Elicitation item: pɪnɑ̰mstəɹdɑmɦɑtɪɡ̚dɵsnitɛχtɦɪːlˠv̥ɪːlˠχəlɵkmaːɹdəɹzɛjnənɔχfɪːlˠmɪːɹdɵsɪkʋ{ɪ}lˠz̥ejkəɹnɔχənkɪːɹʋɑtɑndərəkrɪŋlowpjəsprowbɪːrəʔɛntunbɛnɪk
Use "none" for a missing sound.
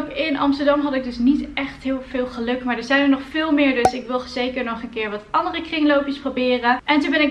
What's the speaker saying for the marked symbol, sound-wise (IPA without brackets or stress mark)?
ɪ